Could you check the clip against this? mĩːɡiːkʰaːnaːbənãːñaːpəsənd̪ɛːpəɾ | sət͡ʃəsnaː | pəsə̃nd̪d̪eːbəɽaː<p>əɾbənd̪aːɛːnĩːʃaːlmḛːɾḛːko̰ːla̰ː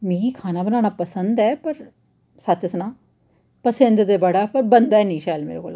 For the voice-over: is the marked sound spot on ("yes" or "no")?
yes